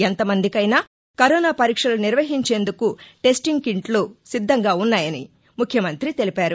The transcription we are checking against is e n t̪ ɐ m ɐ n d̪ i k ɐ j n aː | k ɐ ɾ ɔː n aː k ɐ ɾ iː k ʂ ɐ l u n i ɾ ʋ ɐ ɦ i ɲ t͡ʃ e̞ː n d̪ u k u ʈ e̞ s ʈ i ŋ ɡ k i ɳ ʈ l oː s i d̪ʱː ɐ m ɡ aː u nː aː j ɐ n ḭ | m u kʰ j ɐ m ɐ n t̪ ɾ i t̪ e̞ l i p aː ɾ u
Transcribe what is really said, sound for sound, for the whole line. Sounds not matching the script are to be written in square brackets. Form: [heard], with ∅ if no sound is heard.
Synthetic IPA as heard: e n t̪ ɐ m ɐ n d̪ i k ɐ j n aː | k ɐ ɾ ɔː n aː [p] ɐ ɾ iː k ʂ ɐ l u n i ɾ ʋ ɐ ɦ i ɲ t͡ʃ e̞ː n d̪ u k u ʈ e̞ s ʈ i ŋ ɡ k i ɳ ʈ l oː s i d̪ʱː ɐ [ŋ] ɡ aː u nː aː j ɐ n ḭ | m u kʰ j ɐ m ɐ n t̪ ɾ i t̪ e̞ l i p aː ɾ u